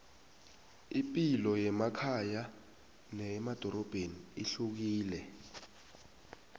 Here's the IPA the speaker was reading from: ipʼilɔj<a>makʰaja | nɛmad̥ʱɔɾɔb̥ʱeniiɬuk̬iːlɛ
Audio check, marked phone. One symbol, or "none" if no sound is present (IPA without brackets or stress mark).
ɛ